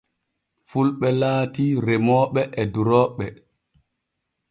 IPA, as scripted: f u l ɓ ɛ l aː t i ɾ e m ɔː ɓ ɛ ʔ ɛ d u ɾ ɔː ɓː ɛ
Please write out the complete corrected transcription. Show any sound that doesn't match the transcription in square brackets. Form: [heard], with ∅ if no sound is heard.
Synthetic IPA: f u l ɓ ɛ l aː t i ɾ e m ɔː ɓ ɛ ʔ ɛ d u ɾ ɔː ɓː ɛ